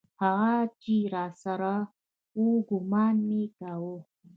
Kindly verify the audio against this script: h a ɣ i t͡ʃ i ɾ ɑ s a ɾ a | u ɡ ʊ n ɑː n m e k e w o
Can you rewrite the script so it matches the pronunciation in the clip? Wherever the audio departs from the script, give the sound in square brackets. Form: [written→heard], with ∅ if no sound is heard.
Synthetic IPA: h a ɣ [i→a] t͡ʃ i ɾ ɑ s a ɾ a | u ɡ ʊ [n→m] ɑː n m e k [e→a] w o